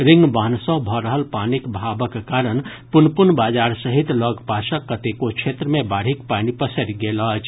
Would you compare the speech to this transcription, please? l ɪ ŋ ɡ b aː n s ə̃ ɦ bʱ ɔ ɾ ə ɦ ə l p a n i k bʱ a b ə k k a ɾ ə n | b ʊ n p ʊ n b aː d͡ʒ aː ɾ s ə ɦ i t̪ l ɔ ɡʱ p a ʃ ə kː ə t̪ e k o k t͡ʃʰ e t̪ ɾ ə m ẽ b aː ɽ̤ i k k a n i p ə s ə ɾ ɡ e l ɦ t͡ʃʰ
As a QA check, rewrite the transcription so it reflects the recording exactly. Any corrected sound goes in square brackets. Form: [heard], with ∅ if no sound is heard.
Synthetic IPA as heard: [ɾ] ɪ ŋ ɡ b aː n s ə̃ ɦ bʱ ɔ ɾ ə ɦ ə l p a n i k bʱ a b ə k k a ɾ ə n | [p] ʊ n p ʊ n b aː d͡ʒ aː ɾ s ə ɦ i t̪ l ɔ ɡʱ p a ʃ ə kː ə t̪ e k o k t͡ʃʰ e t̪ ɾ ə m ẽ b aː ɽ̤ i k [p] a n i p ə s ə ɾ ɡ e l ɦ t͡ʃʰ